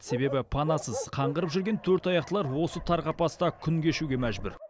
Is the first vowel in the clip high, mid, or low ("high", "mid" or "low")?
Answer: mid